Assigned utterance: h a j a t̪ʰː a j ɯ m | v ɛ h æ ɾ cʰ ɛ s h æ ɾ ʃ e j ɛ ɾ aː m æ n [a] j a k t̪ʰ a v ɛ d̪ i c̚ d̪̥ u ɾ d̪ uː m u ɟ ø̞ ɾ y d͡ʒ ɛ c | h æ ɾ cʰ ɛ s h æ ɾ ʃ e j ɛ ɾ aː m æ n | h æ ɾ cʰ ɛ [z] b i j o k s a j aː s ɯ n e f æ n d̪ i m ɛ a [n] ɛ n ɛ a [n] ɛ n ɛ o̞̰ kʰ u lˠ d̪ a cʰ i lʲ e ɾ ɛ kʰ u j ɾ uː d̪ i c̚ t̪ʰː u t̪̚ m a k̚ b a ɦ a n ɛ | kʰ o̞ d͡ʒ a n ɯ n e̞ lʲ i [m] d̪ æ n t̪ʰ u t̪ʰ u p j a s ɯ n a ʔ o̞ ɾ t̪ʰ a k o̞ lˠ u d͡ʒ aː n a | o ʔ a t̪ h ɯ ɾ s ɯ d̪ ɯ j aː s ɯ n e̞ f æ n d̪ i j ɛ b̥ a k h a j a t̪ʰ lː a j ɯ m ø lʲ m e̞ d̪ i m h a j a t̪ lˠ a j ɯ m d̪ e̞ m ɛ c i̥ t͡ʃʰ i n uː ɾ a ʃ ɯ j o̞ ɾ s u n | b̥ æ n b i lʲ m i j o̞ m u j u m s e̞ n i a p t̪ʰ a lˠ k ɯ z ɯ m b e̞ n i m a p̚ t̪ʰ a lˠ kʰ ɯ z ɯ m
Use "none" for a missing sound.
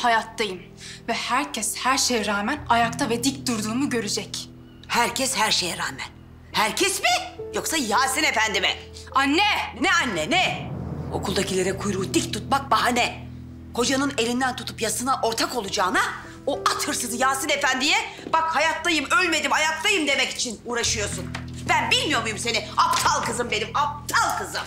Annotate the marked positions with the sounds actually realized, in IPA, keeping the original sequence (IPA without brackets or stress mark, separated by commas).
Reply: a, s, nː, nː, n